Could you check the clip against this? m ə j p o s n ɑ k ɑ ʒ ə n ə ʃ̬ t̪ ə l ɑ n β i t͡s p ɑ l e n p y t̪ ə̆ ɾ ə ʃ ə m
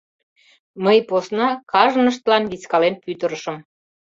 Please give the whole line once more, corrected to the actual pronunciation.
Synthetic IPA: m ə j p o s n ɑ k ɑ ʒ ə n ə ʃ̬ t̪ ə l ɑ n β i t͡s k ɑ l e n p y t̪ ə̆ ɾ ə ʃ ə m